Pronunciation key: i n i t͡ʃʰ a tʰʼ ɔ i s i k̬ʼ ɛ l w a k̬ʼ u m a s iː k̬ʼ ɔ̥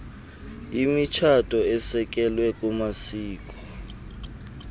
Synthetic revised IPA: i m i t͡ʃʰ a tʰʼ ɔ ɛ s ɛ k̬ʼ ɛ l w ɛ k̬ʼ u m a s iː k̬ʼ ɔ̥